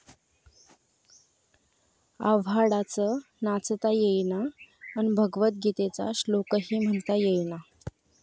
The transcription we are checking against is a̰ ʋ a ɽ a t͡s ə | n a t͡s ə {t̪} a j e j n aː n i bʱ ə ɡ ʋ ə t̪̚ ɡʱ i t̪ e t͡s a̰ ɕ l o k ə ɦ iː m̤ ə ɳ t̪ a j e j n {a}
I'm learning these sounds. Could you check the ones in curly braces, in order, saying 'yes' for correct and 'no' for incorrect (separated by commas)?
yes, yes